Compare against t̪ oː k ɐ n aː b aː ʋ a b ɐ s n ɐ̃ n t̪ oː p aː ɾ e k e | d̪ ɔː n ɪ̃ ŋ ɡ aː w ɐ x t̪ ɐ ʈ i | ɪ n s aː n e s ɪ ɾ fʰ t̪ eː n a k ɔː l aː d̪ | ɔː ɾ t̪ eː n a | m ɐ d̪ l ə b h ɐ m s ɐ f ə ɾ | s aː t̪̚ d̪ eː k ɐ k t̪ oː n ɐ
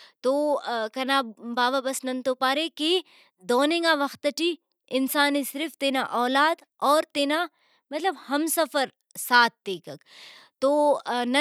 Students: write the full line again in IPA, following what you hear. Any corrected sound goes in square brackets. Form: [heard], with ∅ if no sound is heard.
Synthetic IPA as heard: t̪ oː k ɐ n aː b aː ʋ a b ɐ s n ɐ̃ n t̪ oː p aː ɾ e k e | d̪ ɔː n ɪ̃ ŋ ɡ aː [ʋ] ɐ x t̪ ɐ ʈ i | ɪ n s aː n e s ɪ ɾ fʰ t̪ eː n a [ʔ] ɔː l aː d̪ | ɔː ɾ t̪ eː n a | m ɐ [t̪] l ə b h ɐ m s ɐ f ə ɾ | s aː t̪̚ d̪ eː k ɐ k t̪ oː n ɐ